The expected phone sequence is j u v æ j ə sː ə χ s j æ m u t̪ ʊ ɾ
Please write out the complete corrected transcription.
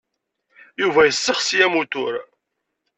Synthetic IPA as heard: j u v æ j ə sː ə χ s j æ m u t̪ ʊ ɾ